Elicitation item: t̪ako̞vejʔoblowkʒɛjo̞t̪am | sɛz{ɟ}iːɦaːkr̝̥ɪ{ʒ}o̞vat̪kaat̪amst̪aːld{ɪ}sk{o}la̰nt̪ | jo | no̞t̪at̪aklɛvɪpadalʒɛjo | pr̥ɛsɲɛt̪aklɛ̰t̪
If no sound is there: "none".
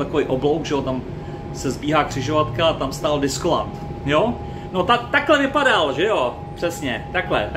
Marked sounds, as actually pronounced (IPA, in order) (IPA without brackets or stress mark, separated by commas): b, ʒ, ɪ, o